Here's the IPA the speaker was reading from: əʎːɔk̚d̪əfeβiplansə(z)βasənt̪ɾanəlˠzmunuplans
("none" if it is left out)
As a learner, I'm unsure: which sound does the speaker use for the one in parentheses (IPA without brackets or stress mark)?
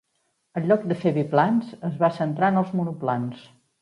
z